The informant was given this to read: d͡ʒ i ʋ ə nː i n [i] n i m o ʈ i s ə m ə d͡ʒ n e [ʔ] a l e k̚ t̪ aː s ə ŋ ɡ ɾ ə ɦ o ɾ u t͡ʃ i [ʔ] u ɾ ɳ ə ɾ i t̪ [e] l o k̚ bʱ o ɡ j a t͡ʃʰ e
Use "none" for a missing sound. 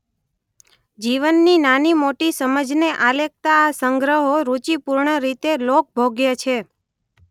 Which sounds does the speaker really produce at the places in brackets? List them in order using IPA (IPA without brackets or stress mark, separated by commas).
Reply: a, ʔ, p, e